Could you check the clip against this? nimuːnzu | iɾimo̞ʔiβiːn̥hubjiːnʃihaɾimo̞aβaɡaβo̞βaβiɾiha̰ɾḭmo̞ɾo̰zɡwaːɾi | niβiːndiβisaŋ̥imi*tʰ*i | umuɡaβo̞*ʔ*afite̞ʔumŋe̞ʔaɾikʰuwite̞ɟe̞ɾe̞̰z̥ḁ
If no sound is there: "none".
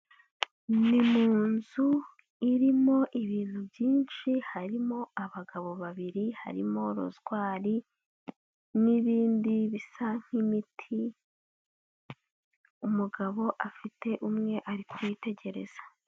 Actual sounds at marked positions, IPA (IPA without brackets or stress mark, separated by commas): tʰ, ʔ